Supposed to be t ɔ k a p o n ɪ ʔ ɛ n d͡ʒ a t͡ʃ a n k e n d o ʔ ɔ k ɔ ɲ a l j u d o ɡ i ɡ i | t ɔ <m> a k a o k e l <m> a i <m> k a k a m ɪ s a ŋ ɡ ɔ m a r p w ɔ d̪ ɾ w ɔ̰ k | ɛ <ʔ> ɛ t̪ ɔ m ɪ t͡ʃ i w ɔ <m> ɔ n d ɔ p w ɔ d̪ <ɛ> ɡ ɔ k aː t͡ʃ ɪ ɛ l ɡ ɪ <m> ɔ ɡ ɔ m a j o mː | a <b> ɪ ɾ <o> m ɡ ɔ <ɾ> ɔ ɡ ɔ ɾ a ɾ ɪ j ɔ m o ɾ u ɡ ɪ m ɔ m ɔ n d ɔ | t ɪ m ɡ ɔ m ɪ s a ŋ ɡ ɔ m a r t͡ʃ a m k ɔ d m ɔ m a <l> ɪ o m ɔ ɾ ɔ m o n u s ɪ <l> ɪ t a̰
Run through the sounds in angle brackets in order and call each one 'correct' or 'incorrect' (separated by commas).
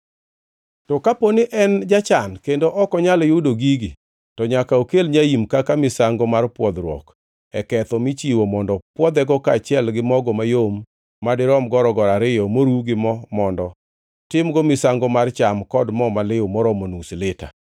incorrect, incorrect, correct, incorrect, correct, correct, correct, incorrect, incorrect, correct, correct, correct